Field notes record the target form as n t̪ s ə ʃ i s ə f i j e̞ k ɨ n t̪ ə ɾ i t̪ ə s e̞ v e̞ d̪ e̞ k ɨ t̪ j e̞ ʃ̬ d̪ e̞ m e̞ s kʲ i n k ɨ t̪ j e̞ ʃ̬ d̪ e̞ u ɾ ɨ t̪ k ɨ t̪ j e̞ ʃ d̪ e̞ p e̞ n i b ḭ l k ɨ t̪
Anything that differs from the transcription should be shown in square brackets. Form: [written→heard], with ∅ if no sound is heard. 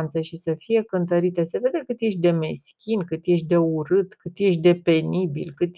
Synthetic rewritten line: n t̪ s ə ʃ i s ə f i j e̞ k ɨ n t̪ ə ɾ i t̪ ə s e̞ v e̞ d̪ e̞ k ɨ t̪ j e̞ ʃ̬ d̪ e̞ m e̞ s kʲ i n k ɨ t̪ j e̞ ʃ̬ d̪ e̞ u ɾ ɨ t̪ k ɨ t̪ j e̞ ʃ d̪ e̞ p e̞ n i b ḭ l k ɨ t̪